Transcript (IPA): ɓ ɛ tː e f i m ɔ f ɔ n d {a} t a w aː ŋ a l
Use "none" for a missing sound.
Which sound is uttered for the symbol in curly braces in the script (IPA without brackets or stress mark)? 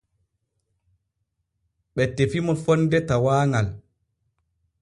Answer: ɛ